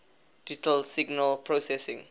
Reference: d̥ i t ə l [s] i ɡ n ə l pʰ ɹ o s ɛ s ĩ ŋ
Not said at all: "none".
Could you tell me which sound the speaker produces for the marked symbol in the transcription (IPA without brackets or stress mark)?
s